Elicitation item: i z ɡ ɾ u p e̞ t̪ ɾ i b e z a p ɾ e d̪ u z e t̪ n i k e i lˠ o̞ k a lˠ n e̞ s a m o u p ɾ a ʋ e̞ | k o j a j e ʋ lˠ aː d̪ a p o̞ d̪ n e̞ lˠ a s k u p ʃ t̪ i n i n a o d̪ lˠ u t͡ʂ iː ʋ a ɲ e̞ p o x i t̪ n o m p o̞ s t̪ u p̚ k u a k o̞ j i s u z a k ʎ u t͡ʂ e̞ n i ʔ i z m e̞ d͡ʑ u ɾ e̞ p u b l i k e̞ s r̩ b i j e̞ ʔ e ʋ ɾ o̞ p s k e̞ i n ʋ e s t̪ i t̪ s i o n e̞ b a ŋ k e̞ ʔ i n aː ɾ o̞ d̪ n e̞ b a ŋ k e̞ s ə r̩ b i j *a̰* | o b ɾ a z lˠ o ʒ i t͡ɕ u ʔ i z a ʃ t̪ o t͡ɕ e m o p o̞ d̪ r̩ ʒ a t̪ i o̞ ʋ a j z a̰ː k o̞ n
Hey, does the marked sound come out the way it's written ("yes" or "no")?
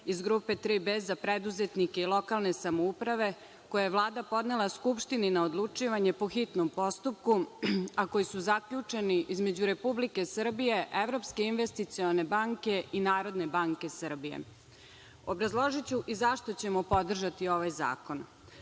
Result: no